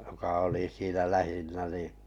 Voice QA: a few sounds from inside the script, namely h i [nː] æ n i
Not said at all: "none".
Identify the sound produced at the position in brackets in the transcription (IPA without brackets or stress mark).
nː